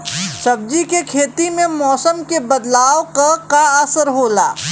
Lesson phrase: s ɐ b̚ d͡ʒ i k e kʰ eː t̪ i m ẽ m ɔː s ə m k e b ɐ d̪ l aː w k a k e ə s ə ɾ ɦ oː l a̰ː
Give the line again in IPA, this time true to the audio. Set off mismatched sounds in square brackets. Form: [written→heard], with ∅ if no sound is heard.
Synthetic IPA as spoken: s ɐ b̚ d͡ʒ i k e kʰ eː t̪ i m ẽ m ɔː s ə m k e b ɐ d̪ l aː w k a k [e→a] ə s ə ɾ ɦ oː l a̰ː